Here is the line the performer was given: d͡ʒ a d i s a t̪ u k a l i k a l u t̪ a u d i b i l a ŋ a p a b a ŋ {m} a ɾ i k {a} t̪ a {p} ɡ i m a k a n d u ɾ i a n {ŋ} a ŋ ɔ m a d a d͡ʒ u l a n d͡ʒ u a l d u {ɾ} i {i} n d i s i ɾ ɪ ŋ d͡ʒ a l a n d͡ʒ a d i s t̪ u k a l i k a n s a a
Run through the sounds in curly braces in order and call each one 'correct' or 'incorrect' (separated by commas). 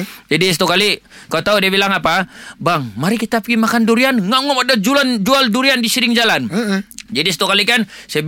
correct, incorrect, correct, correct, correct, incorrect